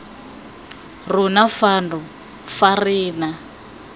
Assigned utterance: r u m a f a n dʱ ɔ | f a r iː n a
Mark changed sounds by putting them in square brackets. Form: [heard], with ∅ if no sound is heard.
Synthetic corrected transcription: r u [n] a f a n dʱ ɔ | f a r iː n a